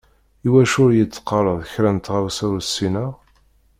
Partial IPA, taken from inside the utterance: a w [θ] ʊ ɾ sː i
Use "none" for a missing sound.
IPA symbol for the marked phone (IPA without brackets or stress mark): s